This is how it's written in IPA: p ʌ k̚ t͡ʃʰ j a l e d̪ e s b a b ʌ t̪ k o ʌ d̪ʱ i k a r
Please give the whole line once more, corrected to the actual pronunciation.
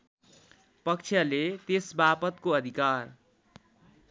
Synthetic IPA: p ʌ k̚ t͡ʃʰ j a l e t̪ e s b a p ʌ t̪ k o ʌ d̪ʱ i k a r